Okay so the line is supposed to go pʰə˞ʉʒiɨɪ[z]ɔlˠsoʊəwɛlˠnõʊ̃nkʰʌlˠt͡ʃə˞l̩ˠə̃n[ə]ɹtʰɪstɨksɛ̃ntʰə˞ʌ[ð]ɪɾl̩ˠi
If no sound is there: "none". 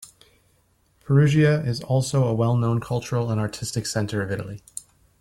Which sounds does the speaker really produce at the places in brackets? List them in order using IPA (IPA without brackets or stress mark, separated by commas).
z, ɑ, v